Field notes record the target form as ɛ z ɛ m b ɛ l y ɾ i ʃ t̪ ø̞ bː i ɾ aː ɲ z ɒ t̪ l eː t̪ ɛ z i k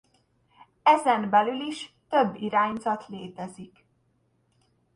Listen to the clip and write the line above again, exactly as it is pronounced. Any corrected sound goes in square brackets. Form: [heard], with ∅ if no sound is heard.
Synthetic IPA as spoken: ɛ z ɛ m b ɛ l y [l] i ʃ t̪ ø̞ bː i ɾ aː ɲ z ɒ t̪ l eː t̪ ɛ z i k

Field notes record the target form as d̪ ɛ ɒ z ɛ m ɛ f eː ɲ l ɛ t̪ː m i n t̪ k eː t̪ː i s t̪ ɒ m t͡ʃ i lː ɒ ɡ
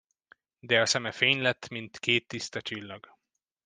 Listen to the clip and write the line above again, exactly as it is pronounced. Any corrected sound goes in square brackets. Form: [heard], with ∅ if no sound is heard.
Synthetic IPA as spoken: d̪ ɛ ɒ [s] ɛ m ɛ f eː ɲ l ɛ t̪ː m i n t̪ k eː t̪ː i s t̪ ɒ [∅] t͡ʃ i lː ɒ ɡ

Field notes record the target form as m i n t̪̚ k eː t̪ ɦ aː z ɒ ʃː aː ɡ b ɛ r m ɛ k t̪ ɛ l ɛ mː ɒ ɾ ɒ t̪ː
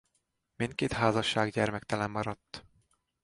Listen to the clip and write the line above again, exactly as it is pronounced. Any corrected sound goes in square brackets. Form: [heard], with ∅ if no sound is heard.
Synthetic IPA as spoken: m i n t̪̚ k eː t̪ ɦ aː z ɒ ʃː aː ɡ [ɟ] ɛ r m ɛ k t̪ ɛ l ɛ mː ɒ ɾ ɒ t̪ː

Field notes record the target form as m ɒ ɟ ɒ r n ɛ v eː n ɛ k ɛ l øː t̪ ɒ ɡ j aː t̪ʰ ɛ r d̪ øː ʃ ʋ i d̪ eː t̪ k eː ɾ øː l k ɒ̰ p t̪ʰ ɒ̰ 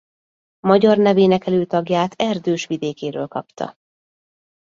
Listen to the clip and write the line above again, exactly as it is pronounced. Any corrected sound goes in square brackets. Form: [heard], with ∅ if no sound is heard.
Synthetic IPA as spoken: m ɒ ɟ ɒ r n ɛ v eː n ɛ k ɛ l øː t̪ ɒ ɡ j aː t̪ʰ ɛ r d̪ øː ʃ ʋ i d̪ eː [∅] k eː ɾ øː l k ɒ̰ p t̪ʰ ɒ̰

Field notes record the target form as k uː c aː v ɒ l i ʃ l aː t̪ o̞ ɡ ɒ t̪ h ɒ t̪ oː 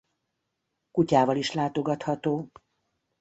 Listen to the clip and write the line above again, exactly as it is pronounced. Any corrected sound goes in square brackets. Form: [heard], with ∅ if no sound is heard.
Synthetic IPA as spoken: k [u] c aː v ɒ l i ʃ l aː t̪ o̞ ɡ ɒ t̪ h ɒ t̪ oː

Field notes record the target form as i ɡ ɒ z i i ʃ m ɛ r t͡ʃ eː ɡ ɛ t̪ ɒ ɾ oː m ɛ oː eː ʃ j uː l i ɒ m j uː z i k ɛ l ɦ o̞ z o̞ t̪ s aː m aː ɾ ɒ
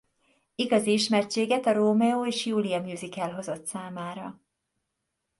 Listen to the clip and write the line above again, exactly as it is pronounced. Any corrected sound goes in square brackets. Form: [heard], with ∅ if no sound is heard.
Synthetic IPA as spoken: i ɡ ɒ z i i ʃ m ɛ r t͡ʃ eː ɡ ɛ t̪ ɒ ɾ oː m ɛ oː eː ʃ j uː l i ɒ m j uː z i k ɛ l ɦ o̞ z o̞ t̪ s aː m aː ɾ ɒ

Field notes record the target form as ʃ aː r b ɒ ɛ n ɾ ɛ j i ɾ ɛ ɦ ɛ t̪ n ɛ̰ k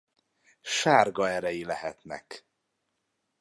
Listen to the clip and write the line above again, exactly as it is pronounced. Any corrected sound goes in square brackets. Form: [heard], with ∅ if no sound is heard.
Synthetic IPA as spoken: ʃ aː r [ɡ] ɒ ɛ [∅] ɾ ɛ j i [l] ɛ ɦ ɛ t̪ n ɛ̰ k

